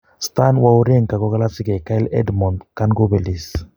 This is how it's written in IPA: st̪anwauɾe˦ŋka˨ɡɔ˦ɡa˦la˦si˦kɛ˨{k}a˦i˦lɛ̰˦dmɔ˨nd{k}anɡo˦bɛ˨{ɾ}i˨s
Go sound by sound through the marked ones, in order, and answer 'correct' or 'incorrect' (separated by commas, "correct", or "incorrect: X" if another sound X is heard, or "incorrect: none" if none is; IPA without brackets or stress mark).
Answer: correct, correct, incorrect: l